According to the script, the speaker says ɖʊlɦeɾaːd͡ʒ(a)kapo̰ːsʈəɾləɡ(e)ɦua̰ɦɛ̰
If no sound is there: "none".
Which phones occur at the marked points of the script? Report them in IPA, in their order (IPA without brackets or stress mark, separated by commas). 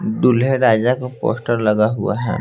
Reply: a, a